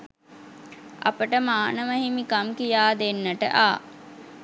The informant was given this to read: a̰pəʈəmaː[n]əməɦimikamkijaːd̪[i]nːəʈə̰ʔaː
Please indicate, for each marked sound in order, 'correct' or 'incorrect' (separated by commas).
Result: correct, incorrect